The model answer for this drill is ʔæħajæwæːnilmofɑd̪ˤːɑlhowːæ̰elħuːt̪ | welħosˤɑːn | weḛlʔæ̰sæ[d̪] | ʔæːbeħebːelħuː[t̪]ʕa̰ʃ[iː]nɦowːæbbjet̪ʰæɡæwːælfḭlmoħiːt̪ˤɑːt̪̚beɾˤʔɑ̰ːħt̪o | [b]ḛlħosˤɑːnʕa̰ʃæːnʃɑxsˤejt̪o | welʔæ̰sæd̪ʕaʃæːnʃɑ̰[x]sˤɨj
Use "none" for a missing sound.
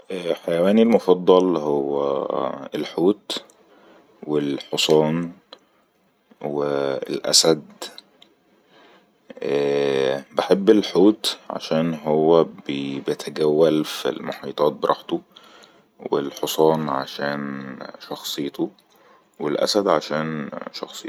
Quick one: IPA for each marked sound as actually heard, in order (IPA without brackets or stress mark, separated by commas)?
d̪, t̪, æː, w, x